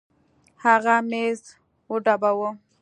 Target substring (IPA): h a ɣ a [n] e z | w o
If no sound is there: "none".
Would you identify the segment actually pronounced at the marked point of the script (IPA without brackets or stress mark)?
m